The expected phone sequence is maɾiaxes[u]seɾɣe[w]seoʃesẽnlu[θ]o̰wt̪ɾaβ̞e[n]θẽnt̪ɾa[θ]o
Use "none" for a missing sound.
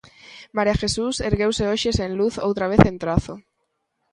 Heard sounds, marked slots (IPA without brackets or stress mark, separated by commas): u, w, θ, none, θ